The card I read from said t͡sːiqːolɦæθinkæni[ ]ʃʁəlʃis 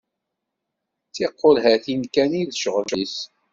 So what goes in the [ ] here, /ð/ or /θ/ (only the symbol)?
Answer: ð